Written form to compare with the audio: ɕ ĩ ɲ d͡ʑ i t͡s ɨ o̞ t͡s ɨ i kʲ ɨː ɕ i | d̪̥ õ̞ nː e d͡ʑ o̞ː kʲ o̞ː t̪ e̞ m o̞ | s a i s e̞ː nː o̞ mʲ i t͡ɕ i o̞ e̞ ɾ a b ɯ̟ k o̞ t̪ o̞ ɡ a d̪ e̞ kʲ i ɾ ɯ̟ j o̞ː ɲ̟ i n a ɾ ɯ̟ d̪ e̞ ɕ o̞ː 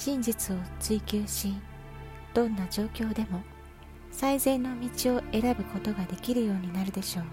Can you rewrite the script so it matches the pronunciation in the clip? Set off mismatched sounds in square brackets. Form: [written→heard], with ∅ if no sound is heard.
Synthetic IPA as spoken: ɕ ĩ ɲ d͡ʑ i t͡s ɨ o̞ t͡s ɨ i kʲ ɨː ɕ i | d̪̥ õ̞ nː [e→a] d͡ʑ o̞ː kʲ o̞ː [t̪→d̪] e̞ m o̞ | s a i [s→z] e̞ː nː o̞ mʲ i t͡ɕ i o̞ e̞ ɾ a b ɯ̟ k o̞ t̪ o̞ ɡ a d̪ e̞ kʲ i ɾ ɯ̟ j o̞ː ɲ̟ i n a ɾ ɯ̟ d̪ e̞ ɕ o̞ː